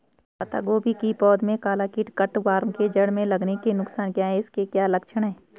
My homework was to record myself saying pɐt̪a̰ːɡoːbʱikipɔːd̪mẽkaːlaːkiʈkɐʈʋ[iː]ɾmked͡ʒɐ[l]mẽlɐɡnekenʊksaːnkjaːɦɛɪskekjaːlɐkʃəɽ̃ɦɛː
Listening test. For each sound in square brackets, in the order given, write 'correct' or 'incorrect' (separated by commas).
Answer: incorrect, incorrect